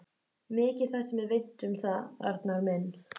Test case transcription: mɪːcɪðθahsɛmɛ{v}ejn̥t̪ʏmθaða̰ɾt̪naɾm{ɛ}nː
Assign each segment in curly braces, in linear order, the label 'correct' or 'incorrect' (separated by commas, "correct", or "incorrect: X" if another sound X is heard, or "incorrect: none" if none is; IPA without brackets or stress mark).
correct, correct